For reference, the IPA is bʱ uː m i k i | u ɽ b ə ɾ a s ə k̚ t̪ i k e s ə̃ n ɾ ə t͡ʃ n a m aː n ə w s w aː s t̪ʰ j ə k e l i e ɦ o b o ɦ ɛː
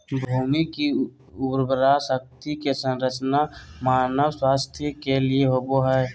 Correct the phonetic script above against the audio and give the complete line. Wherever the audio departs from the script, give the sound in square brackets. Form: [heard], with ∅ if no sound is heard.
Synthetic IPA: bʱ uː m i k i | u [ɾ] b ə ɾ a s ə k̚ t̪ i k e s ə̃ n ɾ ə t͡ʃ n a m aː n ə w s w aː s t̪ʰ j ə k e l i e ɦ o b o ɦ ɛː